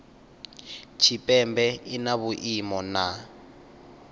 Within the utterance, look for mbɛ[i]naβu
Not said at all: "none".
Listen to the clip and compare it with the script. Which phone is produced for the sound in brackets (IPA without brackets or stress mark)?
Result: i